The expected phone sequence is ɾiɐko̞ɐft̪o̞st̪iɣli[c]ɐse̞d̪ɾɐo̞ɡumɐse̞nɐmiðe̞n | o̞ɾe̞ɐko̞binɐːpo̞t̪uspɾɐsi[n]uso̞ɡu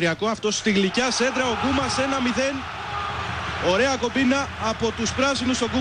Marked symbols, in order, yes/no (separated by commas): yes, yes